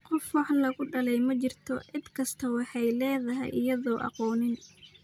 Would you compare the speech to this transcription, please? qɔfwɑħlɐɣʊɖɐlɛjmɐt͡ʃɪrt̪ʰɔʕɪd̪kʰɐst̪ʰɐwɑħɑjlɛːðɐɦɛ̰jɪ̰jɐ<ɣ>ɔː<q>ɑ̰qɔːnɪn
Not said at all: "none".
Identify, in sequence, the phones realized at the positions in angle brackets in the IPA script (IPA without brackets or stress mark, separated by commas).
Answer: ð, ʔ